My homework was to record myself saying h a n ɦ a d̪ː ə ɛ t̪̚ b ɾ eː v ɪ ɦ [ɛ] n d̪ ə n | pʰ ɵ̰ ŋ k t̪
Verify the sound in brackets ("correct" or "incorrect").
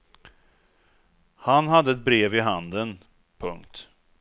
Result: incorrect